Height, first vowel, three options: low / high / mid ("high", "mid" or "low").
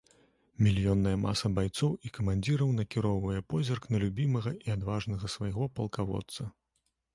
high